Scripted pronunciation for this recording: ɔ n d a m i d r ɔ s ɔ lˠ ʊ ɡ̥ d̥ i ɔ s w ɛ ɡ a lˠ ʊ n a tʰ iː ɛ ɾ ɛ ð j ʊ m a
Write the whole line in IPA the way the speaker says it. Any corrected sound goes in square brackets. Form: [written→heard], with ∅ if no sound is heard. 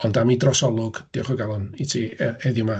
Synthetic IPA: ɔ n d a m i d r ɔ s ɔ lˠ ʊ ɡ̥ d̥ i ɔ [s→χ] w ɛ ɡ a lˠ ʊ n [a→i] tʰ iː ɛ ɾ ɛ ð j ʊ m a